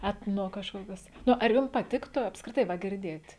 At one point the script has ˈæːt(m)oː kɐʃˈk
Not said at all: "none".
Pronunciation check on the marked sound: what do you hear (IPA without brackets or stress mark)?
n